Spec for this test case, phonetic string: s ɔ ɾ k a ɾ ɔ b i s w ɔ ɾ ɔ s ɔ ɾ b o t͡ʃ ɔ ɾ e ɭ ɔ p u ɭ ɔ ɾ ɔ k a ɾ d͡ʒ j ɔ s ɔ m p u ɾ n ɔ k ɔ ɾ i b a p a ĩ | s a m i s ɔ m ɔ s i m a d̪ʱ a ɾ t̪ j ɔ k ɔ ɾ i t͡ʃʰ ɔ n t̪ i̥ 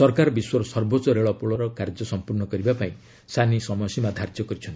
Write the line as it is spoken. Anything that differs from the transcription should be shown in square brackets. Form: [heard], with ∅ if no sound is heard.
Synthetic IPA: s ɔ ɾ k a ɾ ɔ b i s w ɔ ɾ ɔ s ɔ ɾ b o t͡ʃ ɔ ɾ e ɭ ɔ p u ɭ ɔ ɾ ɔ k a ɾ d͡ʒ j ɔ s ɔ m p u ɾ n ɔ k ɔ ɾ i b a p a ĩ | s a [n] i s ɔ m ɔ s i m a d̪ʱ a ɾ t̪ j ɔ k ɔ ɾ i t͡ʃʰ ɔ n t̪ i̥